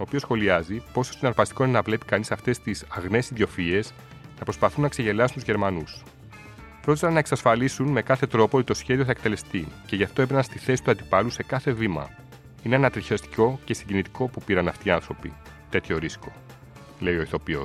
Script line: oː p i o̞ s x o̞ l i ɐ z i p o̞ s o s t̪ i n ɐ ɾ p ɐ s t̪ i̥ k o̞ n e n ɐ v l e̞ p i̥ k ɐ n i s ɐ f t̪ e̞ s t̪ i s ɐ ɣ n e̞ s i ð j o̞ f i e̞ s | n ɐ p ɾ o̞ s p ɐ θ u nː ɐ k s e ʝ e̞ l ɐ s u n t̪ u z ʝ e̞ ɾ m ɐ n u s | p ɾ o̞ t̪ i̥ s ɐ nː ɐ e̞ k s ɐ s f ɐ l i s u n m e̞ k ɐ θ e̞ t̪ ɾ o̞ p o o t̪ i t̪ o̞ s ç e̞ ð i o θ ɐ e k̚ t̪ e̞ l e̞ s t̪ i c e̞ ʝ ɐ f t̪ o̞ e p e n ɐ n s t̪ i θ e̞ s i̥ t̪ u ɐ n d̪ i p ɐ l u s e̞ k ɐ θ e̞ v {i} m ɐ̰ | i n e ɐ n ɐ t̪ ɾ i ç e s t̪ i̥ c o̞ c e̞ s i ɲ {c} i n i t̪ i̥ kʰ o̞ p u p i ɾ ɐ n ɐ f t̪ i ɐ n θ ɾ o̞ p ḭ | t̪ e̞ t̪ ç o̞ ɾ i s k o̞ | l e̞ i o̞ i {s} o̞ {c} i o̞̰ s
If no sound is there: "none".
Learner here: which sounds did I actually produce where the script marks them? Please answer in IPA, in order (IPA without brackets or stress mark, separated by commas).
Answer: i, ɟ, θ, p